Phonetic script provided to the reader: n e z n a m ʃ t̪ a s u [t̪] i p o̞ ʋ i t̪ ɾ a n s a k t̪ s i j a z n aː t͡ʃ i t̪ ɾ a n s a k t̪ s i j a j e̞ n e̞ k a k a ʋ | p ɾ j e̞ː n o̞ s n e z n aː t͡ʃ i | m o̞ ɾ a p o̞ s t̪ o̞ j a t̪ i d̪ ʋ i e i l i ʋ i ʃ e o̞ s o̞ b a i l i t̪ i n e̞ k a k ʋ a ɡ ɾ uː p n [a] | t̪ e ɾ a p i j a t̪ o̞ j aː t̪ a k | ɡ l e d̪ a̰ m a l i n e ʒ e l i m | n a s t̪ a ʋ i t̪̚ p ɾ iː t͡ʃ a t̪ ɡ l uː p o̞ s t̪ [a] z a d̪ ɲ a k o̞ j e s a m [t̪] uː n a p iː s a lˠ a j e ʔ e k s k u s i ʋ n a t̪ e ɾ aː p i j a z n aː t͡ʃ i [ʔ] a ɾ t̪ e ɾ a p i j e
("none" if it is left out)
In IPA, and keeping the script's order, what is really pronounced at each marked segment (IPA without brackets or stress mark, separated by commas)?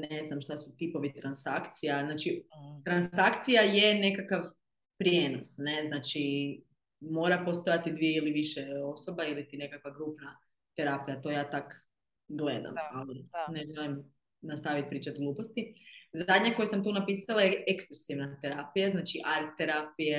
t̪, a, i, t̪, ʔ